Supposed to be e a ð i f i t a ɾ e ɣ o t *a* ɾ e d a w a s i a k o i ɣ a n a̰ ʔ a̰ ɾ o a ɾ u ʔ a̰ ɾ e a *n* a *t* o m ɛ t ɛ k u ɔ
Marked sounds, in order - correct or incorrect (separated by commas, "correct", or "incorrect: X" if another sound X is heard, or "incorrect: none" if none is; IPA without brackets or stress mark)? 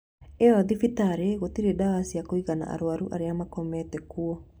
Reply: incorrect: i, incorrect: m, incorrect: k